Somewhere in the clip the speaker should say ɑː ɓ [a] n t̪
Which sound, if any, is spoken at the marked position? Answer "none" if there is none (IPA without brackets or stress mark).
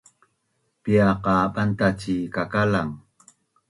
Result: a